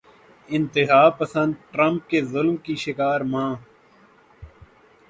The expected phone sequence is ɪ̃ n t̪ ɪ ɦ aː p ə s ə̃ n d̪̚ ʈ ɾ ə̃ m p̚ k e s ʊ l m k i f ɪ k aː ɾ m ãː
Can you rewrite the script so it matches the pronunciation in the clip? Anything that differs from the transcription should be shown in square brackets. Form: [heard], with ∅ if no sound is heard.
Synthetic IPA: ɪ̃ n t̪ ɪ ɦ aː p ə s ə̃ n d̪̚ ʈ ɾ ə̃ m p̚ k e [z] ʊ l m k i [ʃ] ɪ k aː ɾ m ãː